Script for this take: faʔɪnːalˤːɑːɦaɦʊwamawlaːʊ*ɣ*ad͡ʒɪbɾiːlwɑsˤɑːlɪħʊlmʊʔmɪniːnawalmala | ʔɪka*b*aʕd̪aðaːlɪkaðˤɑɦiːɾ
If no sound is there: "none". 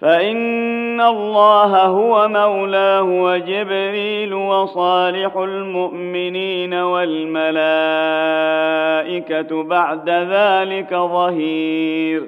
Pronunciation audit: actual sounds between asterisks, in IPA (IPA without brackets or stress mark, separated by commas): w, b